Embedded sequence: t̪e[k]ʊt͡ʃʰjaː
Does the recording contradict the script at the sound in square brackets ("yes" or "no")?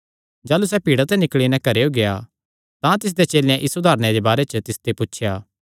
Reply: yes